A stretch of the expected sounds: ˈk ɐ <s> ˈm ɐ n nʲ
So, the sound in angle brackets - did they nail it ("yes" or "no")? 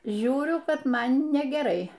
no